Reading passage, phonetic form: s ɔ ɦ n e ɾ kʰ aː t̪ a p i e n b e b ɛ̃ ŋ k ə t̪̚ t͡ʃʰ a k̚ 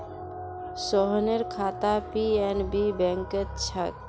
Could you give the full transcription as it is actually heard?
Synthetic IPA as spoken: s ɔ ɦ n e ɾ kʰ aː t̪ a p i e n b i b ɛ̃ ŋ k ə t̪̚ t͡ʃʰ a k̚